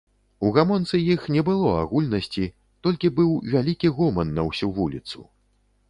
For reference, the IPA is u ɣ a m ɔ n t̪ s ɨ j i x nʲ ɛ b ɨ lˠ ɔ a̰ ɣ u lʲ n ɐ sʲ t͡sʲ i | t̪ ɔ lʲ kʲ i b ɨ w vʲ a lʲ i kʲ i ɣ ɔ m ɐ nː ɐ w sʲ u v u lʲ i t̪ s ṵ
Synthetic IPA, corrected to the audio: u ɣ a m ɔ n t̪ s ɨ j i x nʲ ɛ b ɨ lˠ ɔ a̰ ɣ u lʲ n ɐ sʲ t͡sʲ i | t̪ ɔ lʲ kʲ i b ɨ w vʲ a lʲ i kʲ i ɣ ɔ m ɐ nː ɐ w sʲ u v u lʲ i t̪ s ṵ